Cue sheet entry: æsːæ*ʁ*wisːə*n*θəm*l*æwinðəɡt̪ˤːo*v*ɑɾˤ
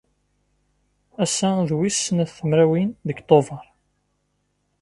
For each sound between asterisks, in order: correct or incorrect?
incorrect: ð, correct, incorrect: ɾ, correct

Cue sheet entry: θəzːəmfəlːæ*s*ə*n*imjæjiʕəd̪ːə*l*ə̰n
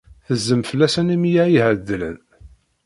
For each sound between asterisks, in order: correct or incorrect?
correct, correct, correct

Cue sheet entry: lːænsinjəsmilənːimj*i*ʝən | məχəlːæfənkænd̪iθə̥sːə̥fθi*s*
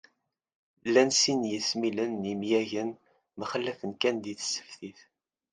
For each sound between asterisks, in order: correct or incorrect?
incorrect: æ, incorrect: θ

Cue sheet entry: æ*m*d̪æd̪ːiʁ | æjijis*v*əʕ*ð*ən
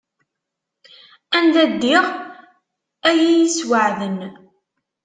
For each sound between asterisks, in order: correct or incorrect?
incorrect: n, incorrect: w, correct

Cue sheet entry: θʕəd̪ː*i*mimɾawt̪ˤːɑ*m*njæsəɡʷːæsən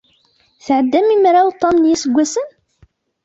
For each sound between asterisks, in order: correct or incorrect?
incorrect: æ, correct

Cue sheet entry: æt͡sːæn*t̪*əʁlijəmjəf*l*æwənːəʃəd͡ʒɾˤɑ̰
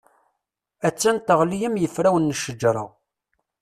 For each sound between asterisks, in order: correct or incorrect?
correct, incorrect: ɾ

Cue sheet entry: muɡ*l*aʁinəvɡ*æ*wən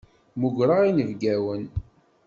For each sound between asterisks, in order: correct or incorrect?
incorrect: ɾ, correct

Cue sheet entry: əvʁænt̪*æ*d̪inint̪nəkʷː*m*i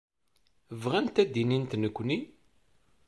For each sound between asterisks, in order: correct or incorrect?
correct, incorrect: n

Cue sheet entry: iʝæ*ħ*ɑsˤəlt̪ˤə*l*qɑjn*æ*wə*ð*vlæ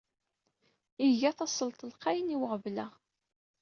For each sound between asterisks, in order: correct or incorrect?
incorrect: θ, correct, incorrect: i, incorrect: ʁ

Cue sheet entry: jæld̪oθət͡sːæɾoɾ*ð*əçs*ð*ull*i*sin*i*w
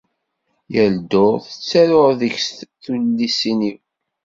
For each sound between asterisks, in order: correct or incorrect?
correct, incorrect: θ, correct, correct

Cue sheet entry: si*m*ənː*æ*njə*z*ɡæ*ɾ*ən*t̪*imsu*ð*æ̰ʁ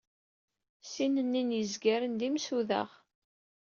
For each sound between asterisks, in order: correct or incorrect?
incorrect: n, incorrect: i, correct, correct, incorrect: d̪, correct

